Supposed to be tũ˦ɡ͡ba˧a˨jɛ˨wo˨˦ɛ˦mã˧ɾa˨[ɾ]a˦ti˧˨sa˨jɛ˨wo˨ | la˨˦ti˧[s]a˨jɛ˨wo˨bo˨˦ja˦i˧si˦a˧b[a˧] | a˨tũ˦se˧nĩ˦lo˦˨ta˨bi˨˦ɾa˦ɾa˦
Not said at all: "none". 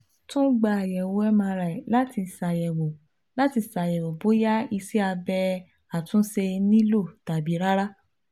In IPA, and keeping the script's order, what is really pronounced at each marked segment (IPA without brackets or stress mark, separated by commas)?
l, s, ɛ˧